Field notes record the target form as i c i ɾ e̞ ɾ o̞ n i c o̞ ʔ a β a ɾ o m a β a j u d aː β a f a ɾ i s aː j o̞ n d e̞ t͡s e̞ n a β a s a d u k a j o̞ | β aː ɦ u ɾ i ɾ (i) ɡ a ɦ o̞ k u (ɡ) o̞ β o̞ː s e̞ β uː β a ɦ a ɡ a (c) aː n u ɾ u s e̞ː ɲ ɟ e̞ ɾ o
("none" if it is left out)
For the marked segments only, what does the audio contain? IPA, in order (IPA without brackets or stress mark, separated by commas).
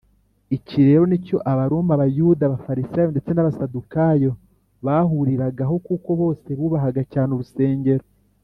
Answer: a, k, c